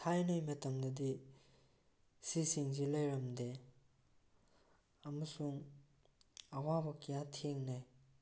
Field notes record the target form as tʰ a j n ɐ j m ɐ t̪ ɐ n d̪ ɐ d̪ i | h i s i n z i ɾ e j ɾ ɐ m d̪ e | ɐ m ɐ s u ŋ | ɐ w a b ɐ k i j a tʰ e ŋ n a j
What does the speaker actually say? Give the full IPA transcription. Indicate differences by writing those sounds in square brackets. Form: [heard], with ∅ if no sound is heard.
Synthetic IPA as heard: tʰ a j n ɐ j m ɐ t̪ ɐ [m] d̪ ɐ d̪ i | [s] i s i [ŋ] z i [l] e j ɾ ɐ m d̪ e | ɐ m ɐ s u ŋ | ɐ w a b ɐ k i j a tʰ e ŋ n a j